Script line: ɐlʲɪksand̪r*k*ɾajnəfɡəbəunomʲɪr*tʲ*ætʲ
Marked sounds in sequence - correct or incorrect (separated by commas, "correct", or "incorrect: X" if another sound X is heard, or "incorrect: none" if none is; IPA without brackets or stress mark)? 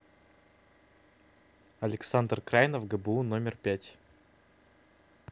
correct, incorrect: pʲ